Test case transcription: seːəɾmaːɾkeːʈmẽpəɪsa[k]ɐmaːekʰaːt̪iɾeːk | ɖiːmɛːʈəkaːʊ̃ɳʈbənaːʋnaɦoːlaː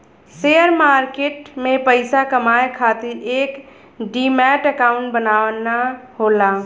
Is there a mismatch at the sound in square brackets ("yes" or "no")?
no